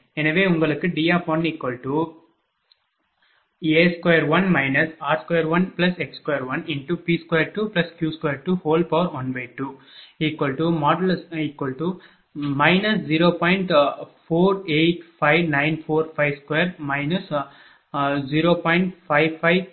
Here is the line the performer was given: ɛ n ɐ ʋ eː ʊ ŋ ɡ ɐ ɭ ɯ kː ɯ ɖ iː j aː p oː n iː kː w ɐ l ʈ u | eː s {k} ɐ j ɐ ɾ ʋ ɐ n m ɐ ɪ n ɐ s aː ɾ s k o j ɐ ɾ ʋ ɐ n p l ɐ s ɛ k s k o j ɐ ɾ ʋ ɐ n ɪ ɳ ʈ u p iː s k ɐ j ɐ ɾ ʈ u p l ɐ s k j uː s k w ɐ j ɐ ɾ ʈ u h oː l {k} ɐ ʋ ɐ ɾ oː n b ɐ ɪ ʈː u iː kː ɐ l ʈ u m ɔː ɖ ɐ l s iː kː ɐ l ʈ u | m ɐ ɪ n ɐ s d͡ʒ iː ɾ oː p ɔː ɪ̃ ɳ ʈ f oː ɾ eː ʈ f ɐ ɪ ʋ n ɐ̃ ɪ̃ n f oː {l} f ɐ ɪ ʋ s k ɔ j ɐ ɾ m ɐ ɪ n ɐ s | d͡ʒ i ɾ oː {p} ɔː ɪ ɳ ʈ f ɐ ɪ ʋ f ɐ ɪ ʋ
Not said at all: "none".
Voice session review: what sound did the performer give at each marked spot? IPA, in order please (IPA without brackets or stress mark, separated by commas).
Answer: k, p, ɾ, p